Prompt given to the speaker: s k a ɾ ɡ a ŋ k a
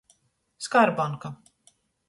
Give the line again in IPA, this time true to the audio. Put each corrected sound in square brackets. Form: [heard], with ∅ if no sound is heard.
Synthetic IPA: s k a ɾ [b] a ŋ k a